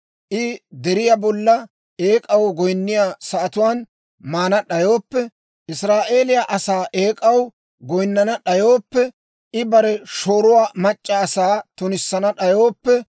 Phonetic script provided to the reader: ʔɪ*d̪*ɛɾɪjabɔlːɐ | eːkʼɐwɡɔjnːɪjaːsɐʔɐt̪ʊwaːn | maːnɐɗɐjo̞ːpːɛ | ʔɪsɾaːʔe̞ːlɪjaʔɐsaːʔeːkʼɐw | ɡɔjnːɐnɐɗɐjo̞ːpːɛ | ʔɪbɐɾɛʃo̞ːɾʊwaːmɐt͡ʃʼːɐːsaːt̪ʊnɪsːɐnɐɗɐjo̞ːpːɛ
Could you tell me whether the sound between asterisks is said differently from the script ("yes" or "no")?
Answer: no